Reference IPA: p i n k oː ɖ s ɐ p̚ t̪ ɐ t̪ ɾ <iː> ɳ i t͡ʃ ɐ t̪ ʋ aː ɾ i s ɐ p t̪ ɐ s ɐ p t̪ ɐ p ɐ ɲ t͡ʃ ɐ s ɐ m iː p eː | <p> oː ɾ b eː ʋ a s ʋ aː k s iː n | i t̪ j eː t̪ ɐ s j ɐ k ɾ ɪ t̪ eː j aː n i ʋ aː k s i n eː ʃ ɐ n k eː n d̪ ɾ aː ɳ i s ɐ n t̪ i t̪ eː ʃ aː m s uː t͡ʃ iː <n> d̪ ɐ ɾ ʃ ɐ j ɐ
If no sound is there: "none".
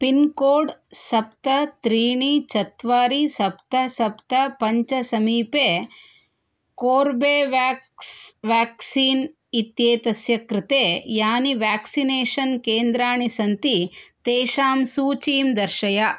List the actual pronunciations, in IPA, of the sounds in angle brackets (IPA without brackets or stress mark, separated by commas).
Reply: iː, k, m